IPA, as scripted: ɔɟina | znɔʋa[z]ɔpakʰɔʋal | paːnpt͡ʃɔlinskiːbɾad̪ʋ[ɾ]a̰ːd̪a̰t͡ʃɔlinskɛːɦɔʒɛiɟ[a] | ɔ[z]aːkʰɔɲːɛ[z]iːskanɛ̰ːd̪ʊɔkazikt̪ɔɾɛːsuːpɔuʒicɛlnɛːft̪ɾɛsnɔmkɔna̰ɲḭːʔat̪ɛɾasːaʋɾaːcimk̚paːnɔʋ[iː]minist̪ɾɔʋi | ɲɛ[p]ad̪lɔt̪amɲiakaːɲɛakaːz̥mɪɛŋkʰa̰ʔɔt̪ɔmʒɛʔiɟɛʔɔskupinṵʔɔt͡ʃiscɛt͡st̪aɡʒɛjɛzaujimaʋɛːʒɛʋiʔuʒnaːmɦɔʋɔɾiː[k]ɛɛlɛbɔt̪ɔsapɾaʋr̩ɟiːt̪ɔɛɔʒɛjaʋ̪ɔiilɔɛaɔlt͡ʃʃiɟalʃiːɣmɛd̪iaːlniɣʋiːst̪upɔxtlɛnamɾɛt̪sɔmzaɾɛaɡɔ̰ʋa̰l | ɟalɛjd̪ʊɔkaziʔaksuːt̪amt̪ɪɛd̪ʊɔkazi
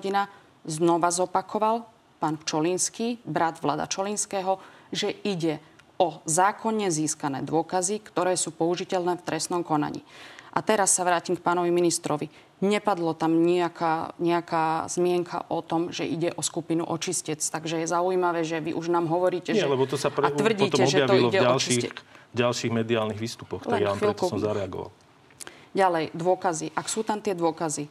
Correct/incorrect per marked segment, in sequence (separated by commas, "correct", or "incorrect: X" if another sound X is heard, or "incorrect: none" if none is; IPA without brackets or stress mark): correct, incorrect: l, incorrect: ɛ, correct, correct, incorrect: i, correct, incorrect: c